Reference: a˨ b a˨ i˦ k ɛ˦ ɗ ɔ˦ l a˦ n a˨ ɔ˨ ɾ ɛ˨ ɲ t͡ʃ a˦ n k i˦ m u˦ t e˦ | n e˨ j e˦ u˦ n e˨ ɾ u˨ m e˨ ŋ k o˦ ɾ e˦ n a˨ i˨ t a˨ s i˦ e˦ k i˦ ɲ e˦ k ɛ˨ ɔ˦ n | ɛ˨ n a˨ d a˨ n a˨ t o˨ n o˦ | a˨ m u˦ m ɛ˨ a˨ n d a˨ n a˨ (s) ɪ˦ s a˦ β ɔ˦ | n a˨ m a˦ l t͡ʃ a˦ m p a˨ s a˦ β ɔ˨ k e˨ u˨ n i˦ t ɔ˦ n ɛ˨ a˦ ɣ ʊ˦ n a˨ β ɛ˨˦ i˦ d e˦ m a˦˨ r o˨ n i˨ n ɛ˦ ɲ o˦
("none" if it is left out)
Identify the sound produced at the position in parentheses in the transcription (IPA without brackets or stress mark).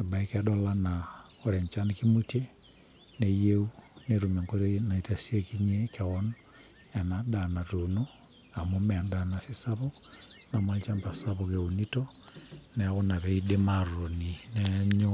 s